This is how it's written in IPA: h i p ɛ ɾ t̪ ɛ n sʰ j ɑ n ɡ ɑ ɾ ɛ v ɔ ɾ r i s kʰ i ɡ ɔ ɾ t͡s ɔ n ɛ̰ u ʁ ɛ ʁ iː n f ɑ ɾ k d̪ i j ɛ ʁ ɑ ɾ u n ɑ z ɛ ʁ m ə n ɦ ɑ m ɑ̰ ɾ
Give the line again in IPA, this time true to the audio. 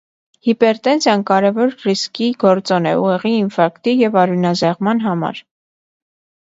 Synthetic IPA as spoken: h i p ɛ ɾ t̪ ɛ n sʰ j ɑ n k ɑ ɾ ɛ v ɔ ɾ r i s k i ɡ ɔ ɾ t͡s ɔ n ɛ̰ u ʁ ɛ ʁ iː n f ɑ ɾ k t̪ i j ɛ v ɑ ɾ u n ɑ z ɛ ʁ m ɑ n ɦ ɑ m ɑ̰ ɾ